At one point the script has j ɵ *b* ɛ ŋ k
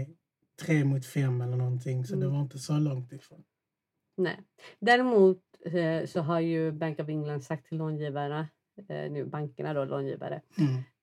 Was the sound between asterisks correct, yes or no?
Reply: yes